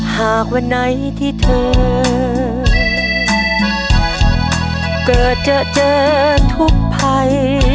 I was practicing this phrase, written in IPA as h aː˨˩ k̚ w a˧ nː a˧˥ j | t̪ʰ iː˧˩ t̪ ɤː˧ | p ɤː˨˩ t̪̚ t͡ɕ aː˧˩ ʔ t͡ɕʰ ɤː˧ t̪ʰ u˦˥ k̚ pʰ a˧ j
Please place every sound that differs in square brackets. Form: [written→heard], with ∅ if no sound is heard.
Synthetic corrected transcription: h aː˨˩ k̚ w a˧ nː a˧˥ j | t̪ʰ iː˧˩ [t̪→t̪ʰ] ɤː˧ | [p→k] ɤː˨˩ t̪̚ t͡ɕ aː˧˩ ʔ [t͡ɕʰ→t͡ɕ] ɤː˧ t̪ʰ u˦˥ k̚ pʰ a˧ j